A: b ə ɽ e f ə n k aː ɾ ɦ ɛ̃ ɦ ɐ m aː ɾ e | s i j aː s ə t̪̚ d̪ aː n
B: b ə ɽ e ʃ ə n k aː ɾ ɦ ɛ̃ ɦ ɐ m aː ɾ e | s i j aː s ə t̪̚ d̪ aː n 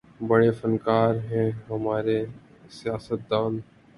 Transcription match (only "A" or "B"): A